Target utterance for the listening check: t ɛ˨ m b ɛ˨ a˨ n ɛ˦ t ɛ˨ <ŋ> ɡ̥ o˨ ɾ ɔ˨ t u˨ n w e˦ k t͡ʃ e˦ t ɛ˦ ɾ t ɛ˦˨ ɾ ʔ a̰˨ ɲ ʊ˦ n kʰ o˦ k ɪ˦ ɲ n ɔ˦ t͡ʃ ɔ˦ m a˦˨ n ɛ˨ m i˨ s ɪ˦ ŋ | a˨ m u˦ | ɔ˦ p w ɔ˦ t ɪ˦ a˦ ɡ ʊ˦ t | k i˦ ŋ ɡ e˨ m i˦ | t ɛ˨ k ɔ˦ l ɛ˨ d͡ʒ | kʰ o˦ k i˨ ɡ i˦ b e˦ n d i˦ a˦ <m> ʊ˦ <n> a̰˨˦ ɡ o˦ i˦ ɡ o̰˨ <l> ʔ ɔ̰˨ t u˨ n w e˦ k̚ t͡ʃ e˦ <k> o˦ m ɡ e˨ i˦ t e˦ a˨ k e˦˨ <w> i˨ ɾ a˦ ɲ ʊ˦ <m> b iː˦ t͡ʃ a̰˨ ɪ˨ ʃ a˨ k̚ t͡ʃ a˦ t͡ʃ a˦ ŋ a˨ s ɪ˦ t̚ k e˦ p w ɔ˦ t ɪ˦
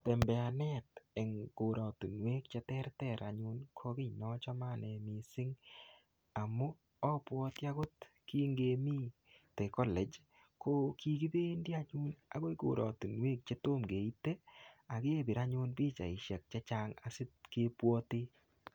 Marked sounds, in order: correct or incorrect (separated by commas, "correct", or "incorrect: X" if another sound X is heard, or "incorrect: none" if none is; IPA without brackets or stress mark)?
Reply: correct, incorrect: ɲ, correct, incorrect: ɾ, incorrect: t, incorrect: b, incorrect: n